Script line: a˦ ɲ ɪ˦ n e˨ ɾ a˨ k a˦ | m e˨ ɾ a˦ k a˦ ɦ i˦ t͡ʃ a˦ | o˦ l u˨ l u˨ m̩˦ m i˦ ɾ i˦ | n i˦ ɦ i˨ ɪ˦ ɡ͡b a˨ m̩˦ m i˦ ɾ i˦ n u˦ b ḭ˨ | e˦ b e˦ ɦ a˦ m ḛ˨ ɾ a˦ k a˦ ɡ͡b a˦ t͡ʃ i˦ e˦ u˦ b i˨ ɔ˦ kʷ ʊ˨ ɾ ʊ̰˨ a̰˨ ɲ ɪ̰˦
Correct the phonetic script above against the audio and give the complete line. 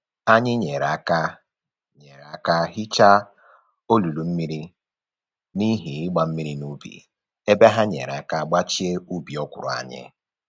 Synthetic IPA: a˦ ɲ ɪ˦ ɲ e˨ ɾ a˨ k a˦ | ɲ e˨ ɾ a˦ k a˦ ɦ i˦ t͡ʃ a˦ | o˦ l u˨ l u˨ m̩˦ m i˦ ɾ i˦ | n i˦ ɦ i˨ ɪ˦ ɡ͡b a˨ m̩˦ m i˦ ɾ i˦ n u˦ b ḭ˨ | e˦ b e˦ ɦ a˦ ɲ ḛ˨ ɾ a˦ k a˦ ɡ͡b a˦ t͡ʃ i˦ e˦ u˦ b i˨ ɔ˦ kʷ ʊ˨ ɾ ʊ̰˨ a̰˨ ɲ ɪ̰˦

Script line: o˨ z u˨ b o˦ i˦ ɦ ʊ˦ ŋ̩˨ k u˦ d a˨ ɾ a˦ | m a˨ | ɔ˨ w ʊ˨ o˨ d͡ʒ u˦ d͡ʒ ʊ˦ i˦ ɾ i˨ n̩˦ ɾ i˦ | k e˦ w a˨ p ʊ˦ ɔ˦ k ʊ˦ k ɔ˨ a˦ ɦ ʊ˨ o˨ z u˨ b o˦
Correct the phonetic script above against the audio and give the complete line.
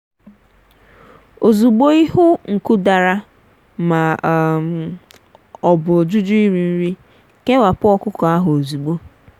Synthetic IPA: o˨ z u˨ ɡ͡b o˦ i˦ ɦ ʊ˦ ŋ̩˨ k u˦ d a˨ ɾ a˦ | m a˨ | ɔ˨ b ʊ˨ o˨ d͡ʒ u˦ d͡ʒ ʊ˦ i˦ ɾ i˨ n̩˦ ɾ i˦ | k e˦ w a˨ p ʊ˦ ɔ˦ k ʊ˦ k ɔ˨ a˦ ɦ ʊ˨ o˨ z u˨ ɡ͡b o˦

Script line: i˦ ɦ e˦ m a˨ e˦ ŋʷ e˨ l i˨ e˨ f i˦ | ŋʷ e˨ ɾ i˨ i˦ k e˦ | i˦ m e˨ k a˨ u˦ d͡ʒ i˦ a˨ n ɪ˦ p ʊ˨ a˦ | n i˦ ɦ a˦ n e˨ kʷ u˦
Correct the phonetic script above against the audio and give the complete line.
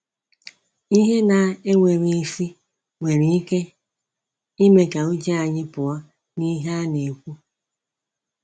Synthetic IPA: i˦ ɦ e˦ n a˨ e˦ ŋʷ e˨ ɾ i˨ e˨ f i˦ | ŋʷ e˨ ɾ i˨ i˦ k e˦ | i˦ m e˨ k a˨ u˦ d͡ʒ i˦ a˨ ɲ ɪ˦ p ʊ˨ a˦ | n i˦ ɦ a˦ n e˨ kʷ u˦

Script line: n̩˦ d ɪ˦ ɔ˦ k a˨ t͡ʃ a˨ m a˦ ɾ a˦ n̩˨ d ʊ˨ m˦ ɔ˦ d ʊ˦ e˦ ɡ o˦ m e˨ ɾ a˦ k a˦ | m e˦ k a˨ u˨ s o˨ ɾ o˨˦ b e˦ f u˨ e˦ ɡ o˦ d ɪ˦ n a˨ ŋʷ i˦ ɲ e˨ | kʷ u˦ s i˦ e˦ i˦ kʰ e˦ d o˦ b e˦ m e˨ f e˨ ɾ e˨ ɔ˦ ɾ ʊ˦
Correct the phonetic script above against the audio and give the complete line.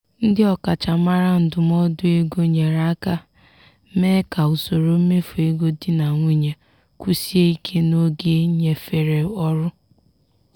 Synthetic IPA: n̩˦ d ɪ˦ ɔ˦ k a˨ t͡ʃ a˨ m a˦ ɾ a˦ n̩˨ d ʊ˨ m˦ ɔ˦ d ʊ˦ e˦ ɡ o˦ ɲ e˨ ɾ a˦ k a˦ | m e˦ k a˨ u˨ s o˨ ɾ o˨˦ m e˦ f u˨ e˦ ɡ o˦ d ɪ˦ n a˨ ŋʷ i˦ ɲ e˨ | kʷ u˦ s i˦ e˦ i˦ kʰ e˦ n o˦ ɡ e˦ ɲ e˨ f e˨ ɾ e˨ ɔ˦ ɾ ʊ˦

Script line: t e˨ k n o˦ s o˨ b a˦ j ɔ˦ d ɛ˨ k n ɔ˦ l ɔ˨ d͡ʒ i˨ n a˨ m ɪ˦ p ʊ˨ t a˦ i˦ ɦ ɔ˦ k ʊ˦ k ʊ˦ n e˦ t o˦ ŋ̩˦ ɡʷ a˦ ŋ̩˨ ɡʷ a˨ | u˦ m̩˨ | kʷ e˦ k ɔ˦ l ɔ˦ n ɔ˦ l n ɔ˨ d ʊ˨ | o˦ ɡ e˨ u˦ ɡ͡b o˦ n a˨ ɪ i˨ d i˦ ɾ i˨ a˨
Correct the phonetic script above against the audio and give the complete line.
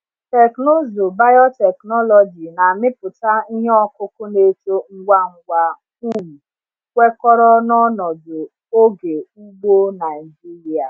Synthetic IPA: t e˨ k n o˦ z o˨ b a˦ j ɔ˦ t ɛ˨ k n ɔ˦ l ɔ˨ d͡ʒ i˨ n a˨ m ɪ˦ p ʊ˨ t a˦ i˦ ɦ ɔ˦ k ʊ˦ k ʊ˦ n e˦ t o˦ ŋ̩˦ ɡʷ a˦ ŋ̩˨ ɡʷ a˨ | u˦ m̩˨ | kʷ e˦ k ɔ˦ ɾ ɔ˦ n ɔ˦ n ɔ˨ d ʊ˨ | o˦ ɡ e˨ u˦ ɡ͡b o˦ n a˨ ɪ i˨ d͡ʒ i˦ ɾ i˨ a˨

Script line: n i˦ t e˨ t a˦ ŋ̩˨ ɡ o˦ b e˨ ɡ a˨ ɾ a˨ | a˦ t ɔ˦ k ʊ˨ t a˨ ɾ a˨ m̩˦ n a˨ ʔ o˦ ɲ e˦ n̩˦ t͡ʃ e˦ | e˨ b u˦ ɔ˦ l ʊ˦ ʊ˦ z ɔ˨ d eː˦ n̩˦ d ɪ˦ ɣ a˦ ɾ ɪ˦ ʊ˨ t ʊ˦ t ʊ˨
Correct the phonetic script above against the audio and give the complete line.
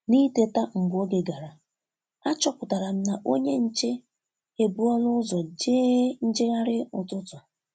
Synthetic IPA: n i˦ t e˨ t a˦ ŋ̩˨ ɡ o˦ ɡ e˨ ɡ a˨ ɾ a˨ | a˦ t͡ʃ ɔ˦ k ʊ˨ t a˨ ɾ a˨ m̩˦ n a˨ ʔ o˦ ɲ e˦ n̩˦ t͡ʃ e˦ | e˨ b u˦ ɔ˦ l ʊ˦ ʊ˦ z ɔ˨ d͡ʒ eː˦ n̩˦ d͡ʒ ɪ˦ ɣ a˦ ɾ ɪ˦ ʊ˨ t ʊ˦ t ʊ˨

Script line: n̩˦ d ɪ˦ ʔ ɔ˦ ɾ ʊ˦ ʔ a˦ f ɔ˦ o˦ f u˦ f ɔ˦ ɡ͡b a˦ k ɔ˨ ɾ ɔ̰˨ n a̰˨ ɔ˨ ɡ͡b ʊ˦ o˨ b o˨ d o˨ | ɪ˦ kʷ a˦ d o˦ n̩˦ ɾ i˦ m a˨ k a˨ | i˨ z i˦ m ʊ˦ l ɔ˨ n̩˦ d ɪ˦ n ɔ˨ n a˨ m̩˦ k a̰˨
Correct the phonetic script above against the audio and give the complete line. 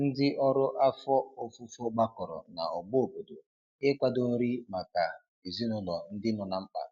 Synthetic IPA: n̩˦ d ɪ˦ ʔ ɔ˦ ɾ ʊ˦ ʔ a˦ f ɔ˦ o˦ f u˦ f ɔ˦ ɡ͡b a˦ k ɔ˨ ɾ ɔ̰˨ n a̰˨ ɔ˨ ɡ͡b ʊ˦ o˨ b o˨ d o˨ | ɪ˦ kʷ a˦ d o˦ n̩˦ ɾ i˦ m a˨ k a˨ | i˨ z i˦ n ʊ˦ l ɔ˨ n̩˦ d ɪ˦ n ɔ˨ n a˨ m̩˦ k͡p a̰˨

